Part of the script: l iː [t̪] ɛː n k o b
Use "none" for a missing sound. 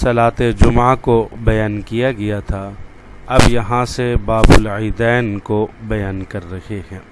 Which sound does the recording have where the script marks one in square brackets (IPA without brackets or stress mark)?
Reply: d̪